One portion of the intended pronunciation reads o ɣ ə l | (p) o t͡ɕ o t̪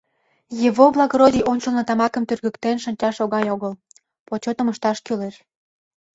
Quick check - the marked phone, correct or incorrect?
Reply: correct